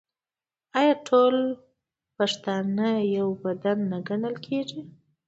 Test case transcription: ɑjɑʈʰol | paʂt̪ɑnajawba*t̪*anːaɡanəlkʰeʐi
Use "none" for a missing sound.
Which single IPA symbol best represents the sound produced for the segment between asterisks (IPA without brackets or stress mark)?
d̪